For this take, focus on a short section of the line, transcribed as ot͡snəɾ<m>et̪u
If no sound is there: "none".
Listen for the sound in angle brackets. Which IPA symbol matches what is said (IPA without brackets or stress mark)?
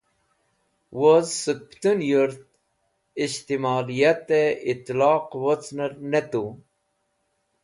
n